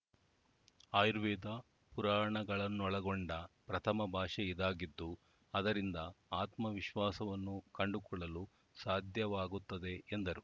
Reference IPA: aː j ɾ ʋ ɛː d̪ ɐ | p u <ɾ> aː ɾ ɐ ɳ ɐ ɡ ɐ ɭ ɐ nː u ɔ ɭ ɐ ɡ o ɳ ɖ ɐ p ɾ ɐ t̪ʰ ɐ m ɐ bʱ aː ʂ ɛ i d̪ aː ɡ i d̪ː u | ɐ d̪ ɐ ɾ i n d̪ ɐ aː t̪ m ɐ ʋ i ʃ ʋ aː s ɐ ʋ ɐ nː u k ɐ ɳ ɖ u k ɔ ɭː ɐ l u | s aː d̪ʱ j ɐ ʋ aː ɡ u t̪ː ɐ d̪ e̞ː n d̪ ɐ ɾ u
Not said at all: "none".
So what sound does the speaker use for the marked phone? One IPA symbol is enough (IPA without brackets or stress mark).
ɾ